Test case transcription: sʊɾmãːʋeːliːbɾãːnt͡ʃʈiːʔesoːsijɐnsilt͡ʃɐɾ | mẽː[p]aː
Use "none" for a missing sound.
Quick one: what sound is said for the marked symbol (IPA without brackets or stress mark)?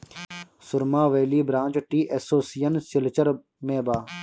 b